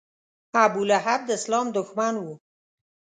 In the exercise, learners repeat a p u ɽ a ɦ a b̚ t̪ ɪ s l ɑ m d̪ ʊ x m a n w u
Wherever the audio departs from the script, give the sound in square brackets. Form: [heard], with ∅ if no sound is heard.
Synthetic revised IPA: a [b] u [l] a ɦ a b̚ [d̪] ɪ s l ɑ m d̪ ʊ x m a n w u